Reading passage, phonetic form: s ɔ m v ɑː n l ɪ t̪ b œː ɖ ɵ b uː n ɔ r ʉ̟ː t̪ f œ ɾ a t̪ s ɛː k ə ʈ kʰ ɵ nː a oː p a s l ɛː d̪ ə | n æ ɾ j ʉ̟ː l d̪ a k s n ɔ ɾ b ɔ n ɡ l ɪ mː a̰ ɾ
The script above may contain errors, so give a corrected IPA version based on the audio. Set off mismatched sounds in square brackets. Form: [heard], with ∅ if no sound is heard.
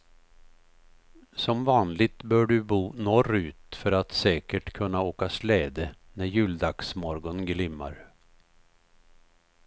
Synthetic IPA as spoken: s ɔ m v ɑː n l ɪ t̪ b œː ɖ ɵ b uː n ɔ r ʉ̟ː t̪ f œ ɾ a t̪ s ɛː k ə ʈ kʰ ɵ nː a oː [k] a s l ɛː d̪ ə | n æ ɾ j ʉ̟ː l d̪ a k s [m] ɔ ɾ [ɡ] ɔ n ɡ l ɪ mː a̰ ɾ